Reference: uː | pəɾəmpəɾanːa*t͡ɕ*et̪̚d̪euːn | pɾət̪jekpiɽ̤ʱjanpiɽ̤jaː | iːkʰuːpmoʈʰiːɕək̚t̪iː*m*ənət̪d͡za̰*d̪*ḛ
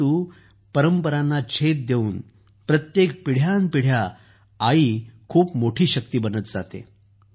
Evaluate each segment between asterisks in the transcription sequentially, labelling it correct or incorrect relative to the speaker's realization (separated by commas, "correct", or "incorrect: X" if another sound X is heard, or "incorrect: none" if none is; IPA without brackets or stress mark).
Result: incorrect: t͡ɕʰ, incorrect: b, incorrect: t̪